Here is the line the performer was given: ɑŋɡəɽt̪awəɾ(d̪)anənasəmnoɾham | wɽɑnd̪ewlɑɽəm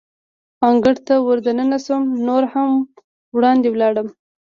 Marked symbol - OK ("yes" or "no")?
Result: yes